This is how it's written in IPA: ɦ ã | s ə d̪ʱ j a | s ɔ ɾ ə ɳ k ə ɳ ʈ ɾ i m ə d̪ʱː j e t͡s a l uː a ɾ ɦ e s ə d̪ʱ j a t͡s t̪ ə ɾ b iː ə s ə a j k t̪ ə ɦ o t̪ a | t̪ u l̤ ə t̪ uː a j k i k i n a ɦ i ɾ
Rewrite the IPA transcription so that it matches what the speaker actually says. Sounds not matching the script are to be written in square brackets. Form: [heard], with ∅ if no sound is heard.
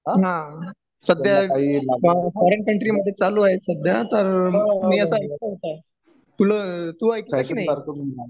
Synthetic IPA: ɦ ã | s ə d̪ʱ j a | [f] ɔ ɾ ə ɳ k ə ɳ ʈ ɾ i m ə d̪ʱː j e t͡s a l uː a [∅] ɦ e s ə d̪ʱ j a [∅] t̪ ə ɾ [m] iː ə s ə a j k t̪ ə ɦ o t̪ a | t̪ u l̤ ə t̪ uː a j k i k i n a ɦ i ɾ